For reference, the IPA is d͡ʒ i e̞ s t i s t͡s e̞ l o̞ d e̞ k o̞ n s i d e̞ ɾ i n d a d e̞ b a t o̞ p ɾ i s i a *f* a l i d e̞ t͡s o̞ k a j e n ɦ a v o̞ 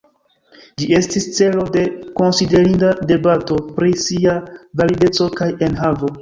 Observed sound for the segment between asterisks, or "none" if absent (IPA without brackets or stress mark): v